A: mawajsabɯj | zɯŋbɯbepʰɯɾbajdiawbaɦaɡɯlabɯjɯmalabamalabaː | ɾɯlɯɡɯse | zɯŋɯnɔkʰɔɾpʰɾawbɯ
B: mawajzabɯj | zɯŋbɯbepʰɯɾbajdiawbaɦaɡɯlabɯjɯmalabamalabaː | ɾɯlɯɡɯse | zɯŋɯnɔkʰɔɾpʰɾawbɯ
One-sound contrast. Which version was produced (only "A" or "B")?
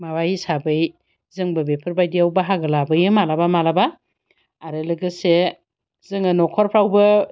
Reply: A